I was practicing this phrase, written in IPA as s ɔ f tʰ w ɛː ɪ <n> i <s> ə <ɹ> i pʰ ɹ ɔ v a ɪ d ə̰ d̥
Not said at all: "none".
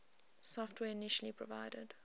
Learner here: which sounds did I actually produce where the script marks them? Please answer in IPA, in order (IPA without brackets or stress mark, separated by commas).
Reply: n, ʃ, l